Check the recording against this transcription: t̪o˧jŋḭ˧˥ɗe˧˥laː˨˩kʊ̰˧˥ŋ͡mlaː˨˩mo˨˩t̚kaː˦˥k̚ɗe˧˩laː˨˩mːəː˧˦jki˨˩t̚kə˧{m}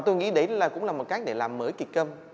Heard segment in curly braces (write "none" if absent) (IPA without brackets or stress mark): m